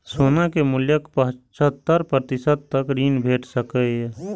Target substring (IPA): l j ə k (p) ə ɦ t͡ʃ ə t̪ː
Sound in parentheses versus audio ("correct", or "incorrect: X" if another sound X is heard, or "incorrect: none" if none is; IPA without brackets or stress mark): correct